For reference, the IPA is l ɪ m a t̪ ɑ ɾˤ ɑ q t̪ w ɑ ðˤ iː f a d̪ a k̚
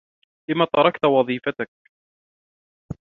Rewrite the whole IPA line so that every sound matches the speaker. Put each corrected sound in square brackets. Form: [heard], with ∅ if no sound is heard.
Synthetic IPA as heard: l ɪ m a t̪ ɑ ɾˤ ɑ [k] t̪ w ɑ ðˤ iː f a [t̪] a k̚